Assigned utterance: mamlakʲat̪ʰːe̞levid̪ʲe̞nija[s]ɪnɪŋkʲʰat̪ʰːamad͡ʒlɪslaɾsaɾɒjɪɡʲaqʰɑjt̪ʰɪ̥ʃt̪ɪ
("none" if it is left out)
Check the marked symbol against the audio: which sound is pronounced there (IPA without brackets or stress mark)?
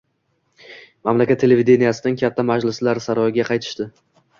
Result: s